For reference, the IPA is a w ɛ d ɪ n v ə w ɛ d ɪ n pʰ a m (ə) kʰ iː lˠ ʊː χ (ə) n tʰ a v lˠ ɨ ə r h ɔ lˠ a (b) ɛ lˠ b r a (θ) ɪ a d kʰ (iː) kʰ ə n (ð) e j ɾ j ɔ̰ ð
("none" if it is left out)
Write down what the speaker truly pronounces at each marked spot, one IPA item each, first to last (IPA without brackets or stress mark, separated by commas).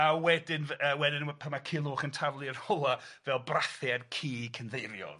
a, ə, v, θ, iː, ð